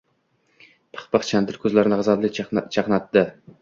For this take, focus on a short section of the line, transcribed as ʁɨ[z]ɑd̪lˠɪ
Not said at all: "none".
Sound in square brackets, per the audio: z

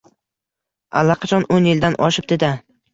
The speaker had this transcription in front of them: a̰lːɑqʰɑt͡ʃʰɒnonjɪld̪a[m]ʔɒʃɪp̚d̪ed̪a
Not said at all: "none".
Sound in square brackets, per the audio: n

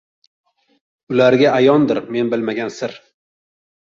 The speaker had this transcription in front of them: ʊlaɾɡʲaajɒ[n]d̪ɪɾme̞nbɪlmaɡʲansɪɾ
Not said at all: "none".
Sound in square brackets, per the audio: n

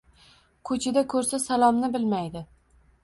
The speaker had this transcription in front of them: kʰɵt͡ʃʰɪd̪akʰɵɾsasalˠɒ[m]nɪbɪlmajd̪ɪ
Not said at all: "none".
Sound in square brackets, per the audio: m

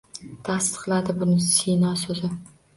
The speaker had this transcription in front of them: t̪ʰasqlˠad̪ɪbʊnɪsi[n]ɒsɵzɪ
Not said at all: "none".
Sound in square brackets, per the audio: n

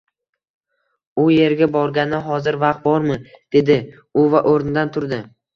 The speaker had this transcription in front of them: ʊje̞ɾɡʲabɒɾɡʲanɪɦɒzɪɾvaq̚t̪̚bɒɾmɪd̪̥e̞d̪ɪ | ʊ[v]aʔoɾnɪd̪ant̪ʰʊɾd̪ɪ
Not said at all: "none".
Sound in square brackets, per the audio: v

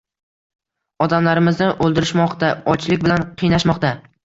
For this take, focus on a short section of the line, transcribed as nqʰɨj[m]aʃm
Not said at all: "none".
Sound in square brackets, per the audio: n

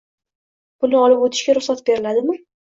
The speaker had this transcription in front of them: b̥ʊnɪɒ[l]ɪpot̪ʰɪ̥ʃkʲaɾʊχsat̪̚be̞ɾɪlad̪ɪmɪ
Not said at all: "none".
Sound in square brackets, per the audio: l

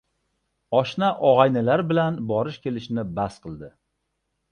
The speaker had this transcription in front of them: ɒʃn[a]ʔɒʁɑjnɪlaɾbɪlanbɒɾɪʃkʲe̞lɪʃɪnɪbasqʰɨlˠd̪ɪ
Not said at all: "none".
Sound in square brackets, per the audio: a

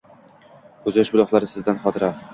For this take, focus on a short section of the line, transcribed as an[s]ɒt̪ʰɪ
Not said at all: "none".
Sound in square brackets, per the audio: χ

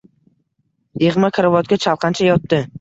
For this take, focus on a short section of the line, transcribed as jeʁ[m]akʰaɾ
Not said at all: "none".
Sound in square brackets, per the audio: m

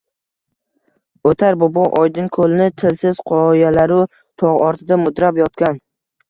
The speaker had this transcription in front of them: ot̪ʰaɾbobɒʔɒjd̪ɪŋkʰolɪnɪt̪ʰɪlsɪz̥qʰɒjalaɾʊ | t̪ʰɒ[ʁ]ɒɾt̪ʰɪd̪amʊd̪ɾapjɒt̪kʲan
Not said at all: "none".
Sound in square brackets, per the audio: ʁ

